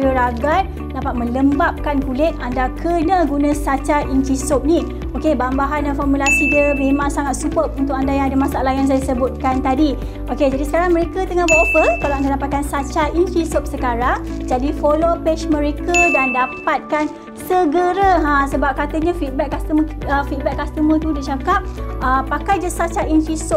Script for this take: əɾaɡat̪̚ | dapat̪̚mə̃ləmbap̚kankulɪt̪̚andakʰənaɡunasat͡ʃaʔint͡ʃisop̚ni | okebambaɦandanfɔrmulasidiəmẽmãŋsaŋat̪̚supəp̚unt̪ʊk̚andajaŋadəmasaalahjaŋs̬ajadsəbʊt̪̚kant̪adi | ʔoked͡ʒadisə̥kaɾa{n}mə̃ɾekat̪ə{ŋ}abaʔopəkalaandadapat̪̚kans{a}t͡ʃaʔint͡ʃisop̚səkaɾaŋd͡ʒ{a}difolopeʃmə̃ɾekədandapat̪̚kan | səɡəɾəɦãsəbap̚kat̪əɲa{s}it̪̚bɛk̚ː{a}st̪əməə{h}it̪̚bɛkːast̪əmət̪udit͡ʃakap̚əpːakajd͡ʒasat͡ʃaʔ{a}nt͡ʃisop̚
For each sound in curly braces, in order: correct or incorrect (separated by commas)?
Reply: incorrect, correct, correct, correct, incorrect, correct, incorrect, incorrect